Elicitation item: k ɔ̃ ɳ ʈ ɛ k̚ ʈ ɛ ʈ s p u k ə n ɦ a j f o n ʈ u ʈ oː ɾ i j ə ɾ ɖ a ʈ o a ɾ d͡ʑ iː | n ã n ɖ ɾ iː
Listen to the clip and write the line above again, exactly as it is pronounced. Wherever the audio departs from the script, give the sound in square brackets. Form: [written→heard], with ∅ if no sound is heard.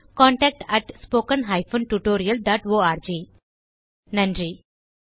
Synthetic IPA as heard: k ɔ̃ ɳ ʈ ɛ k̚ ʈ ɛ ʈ s p [u→o] k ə n ɦ a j f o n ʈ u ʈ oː ɾ i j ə [ɾ→l] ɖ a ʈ o a ɾ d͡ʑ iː | n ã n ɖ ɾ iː